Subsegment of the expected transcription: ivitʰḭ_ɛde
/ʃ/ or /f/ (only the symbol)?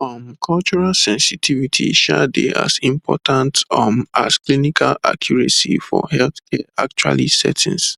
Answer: ʃ